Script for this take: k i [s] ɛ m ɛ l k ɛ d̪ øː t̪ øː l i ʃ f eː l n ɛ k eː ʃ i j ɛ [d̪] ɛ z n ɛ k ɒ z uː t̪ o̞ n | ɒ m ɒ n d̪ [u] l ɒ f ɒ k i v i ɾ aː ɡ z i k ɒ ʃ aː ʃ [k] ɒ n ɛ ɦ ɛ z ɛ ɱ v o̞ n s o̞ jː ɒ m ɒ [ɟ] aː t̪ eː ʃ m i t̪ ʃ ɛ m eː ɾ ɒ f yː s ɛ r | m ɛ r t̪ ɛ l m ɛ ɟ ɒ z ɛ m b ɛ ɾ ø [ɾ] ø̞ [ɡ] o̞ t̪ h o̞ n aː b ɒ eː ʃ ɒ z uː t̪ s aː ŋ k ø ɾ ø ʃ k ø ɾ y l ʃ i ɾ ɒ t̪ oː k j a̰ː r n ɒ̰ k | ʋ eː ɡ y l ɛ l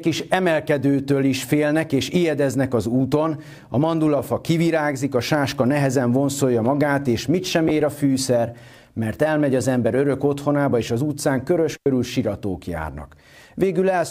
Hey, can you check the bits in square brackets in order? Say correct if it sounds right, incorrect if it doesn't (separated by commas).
incorrect, correct, correct, correct, incorrect, correct, incorrect